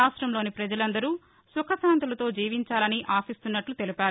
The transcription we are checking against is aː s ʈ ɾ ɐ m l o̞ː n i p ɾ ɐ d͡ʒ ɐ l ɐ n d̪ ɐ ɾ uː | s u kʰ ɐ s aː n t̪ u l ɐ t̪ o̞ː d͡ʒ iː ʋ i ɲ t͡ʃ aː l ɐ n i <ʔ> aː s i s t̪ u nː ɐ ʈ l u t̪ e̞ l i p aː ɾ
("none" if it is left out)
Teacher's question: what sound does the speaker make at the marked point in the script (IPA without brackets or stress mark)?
ʔ